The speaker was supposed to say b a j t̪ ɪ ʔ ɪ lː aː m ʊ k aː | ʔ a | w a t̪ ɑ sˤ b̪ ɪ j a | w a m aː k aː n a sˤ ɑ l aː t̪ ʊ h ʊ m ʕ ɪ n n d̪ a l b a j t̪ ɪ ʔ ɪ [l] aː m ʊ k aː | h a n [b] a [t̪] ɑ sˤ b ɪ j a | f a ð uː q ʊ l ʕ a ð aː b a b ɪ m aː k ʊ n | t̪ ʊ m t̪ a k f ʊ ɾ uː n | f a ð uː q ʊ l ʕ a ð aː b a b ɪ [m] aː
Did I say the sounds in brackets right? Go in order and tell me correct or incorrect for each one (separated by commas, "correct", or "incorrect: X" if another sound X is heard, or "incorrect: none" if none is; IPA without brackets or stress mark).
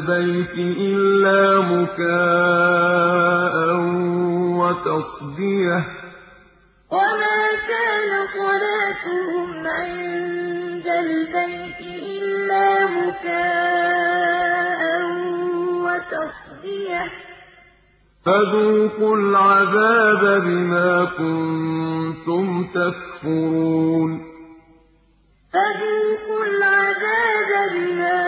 incorrect: lː, incorrect: w, correct, correct